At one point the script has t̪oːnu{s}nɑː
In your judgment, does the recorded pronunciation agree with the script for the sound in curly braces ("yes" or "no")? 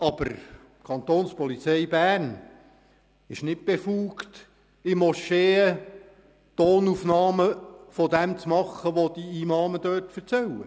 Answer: no